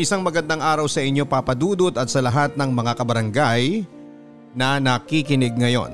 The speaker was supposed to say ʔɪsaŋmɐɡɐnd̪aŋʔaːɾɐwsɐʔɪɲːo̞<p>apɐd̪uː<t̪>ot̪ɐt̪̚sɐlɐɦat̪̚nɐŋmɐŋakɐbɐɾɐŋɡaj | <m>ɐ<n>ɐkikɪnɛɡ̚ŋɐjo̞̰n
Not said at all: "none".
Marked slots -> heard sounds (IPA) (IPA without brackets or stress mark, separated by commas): p, d̪, n, n